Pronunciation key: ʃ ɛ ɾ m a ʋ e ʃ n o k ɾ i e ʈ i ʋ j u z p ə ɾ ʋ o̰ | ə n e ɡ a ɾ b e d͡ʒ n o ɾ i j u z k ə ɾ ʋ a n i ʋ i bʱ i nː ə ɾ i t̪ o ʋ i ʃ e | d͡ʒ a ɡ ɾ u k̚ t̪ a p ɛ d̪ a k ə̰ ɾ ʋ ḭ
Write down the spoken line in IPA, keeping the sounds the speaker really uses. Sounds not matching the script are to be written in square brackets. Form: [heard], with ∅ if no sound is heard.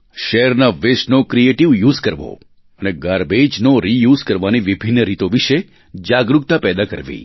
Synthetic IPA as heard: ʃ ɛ ɾ [n] a ʋ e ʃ n o k ɾ i e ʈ i ʋ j u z [k] ə ɾ ʋ o̰ | ə n e ɡ a ɾ b e d͡ʒ n o ɾ i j u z k ə ɾ ʋ a n i ʋ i bʱ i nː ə ɾ i t̪ o ʋ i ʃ e | d͡ʒ a ɡ ɾ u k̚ t̪ a p ɛ d̪ a k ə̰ ɾ ʋ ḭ